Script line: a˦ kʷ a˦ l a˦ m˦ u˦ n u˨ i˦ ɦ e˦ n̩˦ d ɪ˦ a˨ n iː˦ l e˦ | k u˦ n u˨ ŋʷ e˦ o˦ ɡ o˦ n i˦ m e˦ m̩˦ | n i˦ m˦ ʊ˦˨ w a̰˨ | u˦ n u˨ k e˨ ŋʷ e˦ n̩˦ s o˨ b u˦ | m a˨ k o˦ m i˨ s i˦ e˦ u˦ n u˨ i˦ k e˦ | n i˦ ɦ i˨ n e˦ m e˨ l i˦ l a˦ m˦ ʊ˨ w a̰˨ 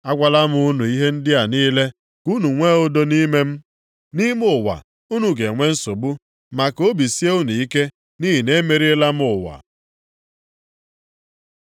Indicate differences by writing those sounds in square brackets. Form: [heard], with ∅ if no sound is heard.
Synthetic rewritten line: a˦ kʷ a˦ l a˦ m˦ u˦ n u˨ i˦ ɦ e˦ n̩˦ d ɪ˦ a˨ n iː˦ l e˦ | k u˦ n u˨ ŋʷ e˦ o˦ [d] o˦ n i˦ m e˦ m̩˦ | n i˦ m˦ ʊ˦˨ w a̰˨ | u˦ n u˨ [ɡ] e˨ ŋʷ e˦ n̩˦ s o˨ b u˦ | m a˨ k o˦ [b] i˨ s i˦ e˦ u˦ n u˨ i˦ k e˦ | n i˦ ɦ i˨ n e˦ m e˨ [ɾ] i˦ l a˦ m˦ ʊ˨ w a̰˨